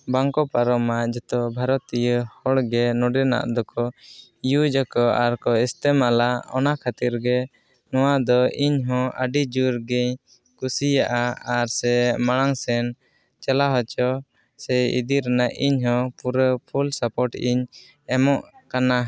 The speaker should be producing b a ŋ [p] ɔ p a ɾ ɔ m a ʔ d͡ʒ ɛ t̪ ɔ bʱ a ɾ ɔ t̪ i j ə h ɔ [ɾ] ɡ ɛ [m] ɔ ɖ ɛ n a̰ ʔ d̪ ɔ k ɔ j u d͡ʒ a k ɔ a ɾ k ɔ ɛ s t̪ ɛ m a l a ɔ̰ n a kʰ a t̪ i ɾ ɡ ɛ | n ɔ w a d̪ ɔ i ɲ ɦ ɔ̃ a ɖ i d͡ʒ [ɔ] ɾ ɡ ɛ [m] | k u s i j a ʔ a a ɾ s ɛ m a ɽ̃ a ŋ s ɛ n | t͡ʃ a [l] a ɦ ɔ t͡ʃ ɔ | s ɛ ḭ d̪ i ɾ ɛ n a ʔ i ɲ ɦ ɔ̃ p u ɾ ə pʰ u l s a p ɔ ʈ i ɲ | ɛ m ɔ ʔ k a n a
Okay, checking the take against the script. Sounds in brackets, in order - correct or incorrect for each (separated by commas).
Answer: incorrect, incorrect, incorrect, incorrect, incorrect, correct